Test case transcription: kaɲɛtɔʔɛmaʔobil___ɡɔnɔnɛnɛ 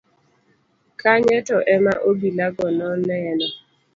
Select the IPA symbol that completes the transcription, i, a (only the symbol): a